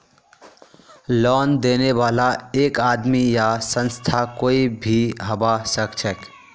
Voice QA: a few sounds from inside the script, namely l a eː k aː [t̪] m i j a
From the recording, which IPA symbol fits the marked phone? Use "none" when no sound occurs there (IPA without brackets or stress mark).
d̪